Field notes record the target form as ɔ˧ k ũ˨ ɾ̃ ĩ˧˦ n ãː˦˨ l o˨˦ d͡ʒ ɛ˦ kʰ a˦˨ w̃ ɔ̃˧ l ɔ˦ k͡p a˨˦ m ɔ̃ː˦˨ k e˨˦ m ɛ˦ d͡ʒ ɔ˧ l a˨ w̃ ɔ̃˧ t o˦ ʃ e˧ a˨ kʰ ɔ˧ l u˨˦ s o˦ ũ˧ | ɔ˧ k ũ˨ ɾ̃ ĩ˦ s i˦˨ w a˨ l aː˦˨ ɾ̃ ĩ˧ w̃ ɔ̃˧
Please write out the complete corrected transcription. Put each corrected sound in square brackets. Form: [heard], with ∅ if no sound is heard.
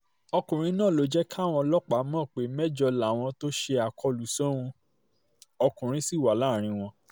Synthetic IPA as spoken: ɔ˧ k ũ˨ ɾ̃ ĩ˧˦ n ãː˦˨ l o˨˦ d͡ʒ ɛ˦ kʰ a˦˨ w̃ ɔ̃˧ l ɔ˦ k͡p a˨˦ m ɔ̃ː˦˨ [k͡p] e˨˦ m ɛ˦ d͡ʒ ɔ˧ l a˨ w̃ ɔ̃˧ t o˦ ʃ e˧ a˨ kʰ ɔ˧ l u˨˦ s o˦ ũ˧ | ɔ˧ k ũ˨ ɾ̃ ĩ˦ s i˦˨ w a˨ l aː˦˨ ɾ̃ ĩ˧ w̃ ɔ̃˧